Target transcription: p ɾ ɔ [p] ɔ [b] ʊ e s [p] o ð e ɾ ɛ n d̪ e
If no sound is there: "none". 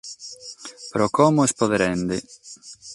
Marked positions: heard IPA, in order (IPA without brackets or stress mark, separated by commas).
k, m, p